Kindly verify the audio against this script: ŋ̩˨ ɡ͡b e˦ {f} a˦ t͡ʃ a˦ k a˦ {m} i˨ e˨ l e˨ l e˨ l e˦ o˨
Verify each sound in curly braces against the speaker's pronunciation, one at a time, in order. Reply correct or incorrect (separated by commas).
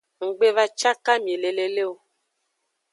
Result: incorrect, correct